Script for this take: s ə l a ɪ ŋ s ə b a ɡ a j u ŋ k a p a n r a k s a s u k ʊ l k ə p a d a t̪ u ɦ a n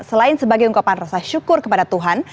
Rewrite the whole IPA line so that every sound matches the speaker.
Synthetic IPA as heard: s ə l a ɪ n s ə b a ɡ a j u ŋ k a p a n r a s a ʃ u k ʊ r k ə p a d a t̪ u ɦ a n

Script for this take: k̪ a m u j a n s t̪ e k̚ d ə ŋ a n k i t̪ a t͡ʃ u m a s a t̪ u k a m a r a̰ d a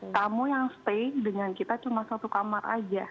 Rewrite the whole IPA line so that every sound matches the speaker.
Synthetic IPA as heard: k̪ a m u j a ŋ s t̪ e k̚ d ə ŋ a n k i t̪ a t͡ʃ u m a s a t̪ u k a m a r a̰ d͡ʒ a

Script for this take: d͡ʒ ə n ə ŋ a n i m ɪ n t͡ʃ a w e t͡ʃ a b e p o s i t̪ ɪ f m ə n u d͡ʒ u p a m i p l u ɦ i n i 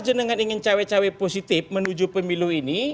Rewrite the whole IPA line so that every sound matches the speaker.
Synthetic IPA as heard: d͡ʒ ə n ə ŋ a n i ŋ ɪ n t͡ʃ a w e t͡ʃ a w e p o s i t̪ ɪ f m ə n u d͡ʒ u p ə m i l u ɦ i n i

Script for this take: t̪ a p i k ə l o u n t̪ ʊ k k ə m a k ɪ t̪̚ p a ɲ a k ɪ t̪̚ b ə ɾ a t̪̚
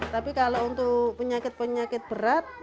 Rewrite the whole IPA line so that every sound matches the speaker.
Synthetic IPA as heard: t̪ a p i k a l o u n t̪ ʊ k p ə ɲ a k ɪ t̪̚ p ə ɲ a k ɪ t̪̚ b ə ɾ a t̪̚

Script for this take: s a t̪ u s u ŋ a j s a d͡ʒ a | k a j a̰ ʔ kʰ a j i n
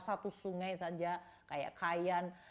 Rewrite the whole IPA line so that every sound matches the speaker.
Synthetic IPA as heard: s a t̪ u s u ŋ a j s a d͡ʒ a | k a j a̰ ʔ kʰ a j a n

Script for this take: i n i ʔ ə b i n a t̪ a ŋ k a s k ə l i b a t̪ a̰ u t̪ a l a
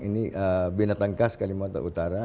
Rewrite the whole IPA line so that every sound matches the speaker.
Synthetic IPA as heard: i n i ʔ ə b i n a t̪ a ŋ k a s k a l i m a t̪ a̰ u t̪ a ɾ a

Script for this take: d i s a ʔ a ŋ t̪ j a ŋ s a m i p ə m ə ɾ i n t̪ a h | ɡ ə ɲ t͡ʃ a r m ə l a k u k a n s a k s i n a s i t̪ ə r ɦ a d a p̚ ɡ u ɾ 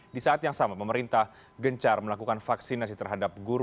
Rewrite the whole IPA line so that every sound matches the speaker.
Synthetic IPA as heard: d i s a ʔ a t̪ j a ŋ s a m a p ə m ə ɾ i n t̪ a h | ɡ ə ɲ t͡ʃ a r m ə l a k u k a n f a k s i n a s i t̪ ə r ɦ a d a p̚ ɡ u ɾ

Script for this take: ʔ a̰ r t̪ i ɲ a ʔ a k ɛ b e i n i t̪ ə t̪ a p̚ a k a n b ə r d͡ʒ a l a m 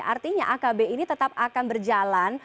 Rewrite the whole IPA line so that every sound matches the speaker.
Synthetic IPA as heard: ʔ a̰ r t̪ i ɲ a ʔ a k a b e i n i t̪ ə t̪ a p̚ a k a n b ə r d͡ʒ a l a n

